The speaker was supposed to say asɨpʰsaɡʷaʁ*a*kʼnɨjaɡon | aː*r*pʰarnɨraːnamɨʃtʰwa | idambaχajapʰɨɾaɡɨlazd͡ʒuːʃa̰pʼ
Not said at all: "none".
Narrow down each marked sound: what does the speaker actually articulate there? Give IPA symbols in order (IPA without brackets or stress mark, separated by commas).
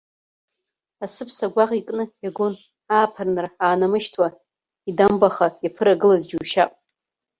i, none